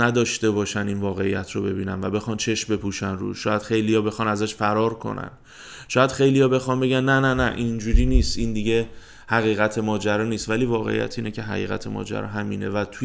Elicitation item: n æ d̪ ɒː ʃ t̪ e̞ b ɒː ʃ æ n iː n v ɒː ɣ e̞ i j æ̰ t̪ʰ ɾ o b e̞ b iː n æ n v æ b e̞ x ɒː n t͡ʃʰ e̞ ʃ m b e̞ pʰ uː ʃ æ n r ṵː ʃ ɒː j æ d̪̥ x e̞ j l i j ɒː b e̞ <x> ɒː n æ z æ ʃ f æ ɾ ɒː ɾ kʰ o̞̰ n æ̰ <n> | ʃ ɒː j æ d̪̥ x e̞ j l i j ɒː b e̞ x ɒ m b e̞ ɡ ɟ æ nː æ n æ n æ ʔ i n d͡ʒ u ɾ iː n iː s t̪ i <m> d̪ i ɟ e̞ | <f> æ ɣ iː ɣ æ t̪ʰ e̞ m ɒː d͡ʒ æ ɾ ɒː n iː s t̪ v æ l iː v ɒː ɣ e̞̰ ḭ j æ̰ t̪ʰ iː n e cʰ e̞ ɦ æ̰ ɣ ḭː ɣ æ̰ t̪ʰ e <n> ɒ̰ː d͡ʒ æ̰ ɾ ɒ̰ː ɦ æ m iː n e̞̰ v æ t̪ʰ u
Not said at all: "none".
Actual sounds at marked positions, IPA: x, n, n, h, m

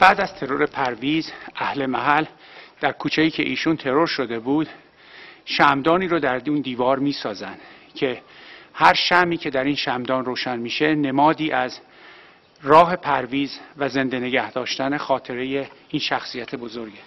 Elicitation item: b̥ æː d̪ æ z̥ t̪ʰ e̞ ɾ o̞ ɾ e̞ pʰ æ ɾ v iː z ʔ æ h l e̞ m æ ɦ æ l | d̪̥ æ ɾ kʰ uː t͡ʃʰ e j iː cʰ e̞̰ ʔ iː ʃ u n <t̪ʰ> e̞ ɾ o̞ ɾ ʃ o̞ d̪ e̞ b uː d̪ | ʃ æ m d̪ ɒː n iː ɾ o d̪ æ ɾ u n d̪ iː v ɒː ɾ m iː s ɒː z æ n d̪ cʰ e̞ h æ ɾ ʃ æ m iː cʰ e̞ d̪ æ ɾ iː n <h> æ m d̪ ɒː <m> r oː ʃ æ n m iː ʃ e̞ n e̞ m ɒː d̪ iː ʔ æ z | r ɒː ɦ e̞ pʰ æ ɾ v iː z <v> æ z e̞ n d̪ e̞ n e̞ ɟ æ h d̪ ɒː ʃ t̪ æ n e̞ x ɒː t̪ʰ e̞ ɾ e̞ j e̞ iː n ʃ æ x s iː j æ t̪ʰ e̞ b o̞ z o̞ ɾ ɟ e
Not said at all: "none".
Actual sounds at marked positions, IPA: t̪ʰ, ʃ, n, v

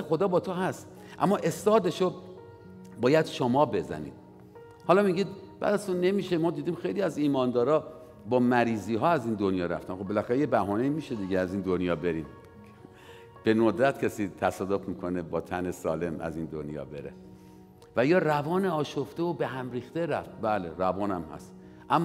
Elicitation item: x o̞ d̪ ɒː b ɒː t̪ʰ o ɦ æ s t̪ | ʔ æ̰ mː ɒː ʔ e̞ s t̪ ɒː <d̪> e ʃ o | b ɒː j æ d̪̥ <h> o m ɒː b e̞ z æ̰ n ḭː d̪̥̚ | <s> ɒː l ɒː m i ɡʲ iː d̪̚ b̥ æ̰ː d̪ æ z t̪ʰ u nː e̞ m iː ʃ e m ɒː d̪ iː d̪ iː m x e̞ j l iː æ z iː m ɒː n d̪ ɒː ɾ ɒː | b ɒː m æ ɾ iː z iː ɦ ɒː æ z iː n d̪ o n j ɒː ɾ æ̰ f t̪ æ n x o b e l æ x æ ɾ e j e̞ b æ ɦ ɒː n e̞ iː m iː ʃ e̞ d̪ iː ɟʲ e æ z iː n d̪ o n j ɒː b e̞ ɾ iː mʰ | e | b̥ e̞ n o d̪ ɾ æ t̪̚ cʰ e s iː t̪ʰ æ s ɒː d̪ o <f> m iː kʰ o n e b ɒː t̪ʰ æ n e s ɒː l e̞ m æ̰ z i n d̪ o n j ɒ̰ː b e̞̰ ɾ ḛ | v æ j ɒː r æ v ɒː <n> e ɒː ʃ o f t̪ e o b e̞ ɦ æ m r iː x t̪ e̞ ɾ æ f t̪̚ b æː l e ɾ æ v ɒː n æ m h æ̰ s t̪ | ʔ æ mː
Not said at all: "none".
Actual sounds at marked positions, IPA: d̪, ʃ, h, f, n

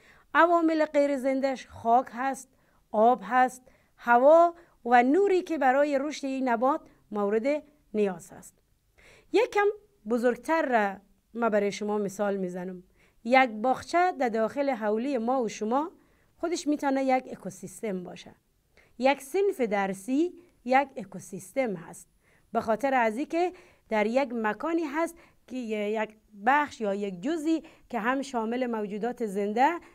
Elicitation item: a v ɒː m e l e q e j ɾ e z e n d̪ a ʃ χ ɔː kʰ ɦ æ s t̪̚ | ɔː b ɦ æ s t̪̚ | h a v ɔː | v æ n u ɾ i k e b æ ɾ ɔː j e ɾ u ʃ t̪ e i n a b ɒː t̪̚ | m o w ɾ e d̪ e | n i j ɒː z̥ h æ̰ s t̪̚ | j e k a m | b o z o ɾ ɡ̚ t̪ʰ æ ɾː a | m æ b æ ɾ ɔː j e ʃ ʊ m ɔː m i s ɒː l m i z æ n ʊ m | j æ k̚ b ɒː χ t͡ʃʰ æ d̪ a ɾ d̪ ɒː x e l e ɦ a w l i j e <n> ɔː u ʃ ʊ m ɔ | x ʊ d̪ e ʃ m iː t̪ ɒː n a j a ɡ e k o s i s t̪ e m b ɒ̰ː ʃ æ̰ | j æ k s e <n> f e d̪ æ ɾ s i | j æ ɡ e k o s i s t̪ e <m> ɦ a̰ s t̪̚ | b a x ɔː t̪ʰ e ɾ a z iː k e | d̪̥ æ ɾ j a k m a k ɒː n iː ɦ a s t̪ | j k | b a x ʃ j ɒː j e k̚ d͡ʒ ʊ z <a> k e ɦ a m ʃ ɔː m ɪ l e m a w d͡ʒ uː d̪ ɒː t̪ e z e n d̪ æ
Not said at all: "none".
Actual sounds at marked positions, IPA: m, n, m, i

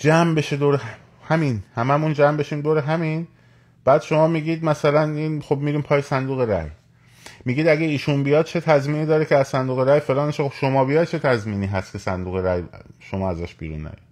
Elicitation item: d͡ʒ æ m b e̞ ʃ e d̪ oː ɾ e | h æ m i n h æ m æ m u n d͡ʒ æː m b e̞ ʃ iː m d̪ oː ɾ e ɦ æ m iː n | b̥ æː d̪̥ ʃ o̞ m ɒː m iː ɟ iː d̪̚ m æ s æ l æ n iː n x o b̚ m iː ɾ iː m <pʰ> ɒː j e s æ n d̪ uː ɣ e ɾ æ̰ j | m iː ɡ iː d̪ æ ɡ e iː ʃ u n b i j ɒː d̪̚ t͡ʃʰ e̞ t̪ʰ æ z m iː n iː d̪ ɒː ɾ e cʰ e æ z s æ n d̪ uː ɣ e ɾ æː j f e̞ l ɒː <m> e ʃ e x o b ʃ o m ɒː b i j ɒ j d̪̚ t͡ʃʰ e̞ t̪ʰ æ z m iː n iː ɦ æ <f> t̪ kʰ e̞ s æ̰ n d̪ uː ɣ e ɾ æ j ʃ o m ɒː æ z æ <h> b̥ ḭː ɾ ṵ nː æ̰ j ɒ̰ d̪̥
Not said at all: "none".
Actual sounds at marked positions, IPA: pʰ, n, s, ʃ

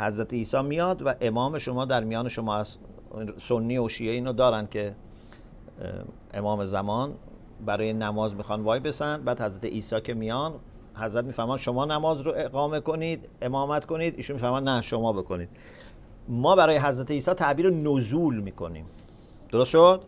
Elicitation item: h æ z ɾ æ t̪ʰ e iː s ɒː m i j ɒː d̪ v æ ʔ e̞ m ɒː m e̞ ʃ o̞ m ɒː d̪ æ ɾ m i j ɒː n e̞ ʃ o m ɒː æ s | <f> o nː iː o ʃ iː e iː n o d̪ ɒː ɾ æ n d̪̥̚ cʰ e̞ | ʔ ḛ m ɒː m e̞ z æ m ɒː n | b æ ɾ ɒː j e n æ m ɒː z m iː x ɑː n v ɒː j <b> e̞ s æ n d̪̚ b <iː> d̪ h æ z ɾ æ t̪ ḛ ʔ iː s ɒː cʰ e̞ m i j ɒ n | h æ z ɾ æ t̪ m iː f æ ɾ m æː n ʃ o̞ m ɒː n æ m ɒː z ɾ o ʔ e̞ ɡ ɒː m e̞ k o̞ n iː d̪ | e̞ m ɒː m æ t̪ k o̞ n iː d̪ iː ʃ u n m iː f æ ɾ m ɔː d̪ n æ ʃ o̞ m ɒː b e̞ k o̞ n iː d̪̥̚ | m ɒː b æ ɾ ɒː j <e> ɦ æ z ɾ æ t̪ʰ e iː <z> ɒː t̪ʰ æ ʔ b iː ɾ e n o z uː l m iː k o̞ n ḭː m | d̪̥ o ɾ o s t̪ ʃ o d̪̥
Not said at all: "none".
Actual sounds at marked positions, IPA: s, b, æː, e, s

